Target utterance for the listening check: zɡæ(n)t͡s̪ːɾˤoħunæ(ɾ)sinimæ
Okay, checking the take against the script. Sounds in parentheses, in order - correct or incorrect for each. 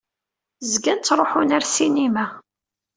correct, correct

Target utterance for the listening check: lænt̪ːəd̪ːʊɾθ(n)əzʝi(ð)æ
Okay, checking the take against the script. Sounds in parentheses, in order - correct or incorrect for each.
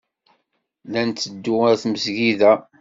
incorrect, correct

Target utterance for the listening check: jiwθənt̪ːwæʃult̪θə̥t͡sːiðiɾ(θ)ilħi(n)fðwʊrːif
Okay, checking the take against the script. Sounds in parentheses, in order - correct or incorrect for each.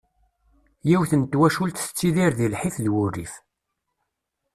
incorrect, incorrect

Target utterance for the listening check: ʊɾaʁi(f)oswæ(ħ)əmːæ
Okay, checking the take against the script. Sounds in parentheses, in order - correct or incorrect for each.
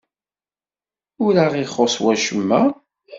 incorrect, incorrect

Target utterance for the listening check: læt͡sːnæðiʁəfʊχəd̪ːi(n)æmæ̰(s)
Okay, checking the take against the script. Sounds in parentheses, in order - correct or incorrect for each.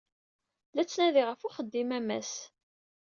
incorrect, correct

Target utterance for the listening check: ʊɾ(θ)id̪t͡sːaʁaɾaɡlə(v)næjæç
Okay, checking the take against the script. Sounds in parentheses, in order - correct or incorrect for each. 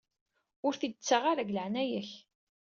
correct, incorrect

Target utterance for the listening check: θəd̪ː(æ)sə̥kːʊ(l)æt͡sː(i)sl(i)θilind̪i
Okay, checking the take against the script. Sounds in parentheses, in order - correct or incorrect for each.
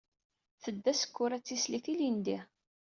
correct, incorrect, correct, correct

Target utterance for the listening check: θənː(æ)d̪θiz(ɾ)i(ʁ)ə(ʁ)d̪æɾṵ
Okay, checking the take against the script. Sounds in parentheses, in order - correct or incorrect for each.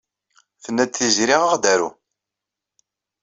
correct, correct, correct, correct

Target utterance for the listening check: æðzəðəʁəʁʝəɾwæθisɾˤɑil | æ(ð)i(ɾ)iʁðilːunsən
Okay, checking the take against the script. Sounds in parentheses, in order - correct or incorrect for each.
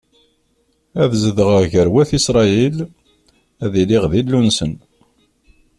correct, incorrect

